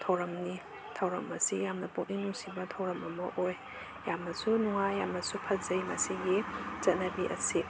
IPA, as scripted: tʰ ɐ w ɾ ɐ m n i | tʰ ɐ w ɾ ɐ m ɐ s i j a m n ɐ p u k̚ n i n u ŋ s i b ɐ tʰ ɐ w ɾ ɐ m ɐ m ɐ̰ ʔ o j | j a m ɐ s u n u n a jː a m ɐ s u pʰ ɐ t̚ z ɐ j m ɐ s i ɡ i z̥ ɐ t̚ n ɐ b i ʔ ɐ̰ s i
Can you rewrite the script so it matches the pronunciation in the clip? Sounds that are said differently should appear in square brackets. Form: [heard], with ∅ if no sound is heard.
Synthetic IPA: tʰ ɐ w ɾ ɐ m n i | tʰ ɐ w ɾ ɐ m ɐ s i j a m n ɐ p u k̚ n i n u ŋ s i b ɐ tʰ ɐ w ɾ ɐ m ɐ m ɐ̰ ʔ o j | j a m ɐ s u n u [ŋ] a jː a m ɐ s u pʰ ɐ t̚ z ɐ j m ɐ s i ɡ i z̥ ɐ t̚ n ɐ b i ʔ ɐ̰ s i